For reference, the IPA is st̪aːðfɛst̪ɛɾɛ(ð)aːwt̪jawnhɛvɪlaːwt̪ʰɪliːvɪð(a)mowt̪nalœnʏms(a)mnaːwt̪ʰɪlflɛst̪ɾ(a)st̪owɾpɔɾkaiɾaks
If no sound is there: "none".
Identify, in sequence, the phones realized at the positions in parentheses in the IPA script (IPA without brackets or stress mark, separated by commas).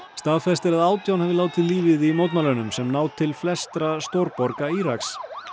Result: ð, i, ɛ, a